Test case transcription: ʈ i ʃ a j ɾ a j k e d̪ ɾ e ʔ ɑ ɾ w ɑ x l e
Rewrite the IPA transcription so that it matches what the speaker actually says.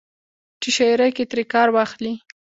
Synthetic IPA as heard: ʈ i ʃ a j ɾ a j k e t̪ ɾ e k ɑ ɾ w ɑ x l i